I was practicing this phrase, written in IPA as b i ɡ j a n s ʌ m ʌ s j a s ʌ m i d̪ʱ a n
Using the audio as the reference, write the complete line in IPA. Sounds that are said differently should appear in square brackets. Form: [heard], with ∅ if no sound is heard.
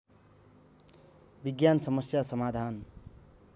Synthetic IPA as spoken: b i ɡ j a n s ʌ m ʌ s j a s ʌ m [a] d̪ʱ a n

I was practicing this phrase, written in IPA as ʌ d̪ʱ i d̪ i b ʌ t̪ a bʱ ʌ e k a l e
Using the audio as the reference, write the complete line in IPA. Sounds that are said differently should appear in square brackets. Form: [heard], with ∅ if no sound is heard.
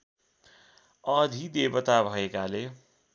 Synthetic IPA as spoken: ʌ d̪ʱ i d̪ [e] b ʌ t̪ a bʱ ʌ e k a l e

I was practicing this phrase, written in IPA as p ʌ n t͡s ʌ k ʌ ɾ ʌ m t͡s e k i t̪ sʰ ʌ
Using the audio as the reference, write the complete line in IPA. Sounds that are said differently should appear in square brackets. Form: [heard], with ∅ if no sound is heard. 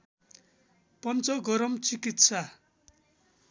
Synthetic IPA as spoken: p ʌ n t͡s ʌ [ɡ] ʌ ɾ ʌ m t͡s [i] k i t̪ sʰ [a]

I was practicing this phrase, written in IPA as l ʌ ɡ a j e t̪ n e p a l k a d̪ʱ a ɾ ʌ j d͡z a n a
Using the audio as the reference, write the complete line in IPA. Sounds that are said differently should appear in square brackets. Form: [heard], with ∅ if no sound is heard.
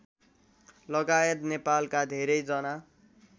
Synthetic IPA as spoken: l ʌ ɡ a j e t̪ n e p a l k a d̪ʱ [e] ɾ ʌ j d͡z [ʌ] n a

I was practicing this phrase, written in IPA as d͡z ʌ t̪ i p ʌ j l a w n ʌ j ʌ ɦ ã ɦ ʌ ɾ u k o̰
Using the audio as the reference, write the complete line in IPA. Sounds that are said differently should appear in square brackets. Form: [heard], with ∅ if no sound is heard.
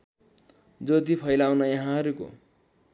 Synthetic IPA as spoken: d͡z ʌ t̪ i [pʰ] ʌ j l a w n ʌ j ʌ ɦ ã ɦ ʌ ɾ u k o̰

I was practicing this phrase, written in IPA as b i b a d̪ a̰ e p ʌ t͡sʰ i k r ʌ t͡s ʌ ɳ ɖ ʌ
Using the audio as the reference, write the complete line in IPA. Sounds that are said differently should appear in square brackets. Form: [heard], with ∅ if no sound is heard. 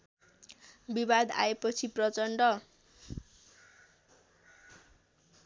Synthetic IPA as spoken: b i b a d̪ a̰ e p ʌ t͡sʰ i [p] r ʌ t͡s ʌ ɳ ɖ ʌ

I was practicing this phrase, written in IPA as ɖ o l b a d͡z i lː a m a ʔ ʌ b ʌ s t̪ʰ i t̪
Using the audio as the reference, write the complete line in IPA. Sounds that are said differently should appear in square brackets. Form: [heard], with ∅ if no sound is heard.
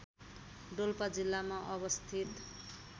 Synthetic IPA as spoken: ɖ o l [p] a d͡z i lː a m a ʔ ʌ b ʌ s t̪ʰ i t̪

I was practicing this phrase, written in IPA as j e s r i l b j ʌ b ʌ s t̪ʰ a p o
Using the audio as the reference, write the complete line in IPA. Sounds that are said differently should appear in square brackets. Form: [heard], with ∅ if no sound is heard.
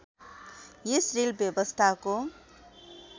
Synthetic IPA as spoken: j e s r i l b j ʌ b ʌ s t̪ʰ a [k] o

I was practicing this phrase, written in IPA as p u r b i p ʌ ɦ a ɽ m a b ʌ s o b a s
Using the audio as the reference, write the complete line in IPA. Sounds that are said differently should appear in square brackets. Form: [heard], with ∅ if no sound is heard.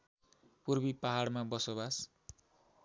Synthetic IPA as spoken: p u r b i p [a] ɦ a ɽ m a b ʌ s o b a s

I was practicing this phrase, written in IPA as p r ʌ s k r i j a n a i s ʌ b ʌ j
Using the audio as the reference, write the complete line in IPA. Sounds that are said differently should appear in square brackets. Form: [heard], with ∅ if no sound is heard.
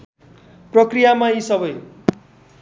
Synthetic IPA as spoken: p r ʌ [∅] k r i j a [m] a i s ʌ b ʌ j

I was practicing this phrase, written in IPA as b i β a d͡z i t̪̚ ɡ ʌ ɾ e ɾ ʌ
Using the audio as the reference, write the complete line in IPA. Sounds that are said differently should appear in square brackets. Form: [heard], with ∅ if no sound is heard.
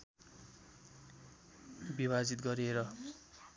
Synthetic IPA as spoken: b i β a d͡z i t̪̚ ɡ ʌ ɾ e ɾ ʌ

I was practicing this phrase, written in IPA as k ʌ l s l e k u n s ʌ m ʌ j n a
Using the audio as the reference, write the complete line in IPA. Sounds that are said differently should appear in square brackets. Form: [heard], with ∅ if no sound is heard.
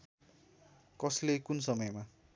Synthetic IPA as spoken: k ʌ [∅] s l e k u n s ʌ m ʌ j [m] a

